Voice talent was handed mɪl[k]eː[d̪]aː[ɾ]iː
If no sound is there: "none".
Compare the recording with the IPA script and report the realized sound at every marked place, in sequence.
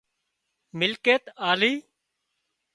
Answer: k, t̪, l

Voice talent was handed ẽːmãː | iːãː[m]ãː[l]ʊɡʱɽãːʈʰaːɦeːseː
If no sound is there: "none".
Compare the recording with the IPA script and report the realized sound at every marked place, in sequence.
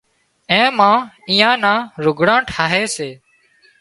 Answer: n, ɾ

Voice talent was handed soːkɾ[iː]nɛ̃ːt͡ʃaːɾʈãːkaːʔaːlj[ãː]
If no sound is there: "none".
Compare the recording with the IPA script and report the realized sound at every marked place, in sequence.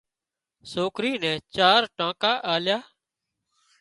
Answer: iː, aː

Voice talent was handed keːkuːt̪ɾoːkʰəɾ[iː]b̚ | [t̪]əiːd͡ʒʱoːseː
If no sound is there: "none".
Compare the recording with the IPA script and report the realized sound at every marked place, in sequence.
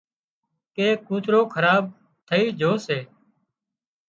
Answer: aː, t̪ʰ

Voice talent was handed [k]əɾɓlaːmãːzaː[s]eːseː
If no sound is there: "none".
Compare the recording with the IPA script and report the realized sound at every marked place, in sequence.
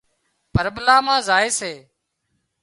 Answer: p, none

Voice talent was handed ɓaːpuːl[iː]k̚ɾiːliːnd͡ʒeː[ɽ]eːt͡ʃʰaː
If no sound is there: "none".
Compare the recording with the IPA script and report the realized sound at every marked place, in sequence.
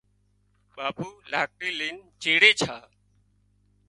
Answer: aː, ɽ

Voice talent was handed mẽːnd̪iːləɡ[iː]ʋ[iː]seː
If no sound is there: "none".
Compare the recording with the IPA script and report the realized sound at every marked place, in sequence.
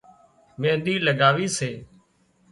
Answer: aː, iː

